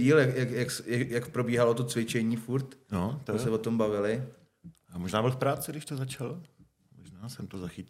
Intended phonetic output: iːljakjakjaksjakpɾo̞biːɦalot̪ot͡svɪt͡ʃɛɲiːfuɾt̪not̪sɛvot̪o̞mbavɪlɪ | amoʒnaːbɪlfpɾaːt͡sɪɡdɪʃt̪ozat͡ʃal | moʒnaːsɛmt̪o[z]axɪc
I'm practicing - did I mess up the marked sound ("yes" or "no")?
no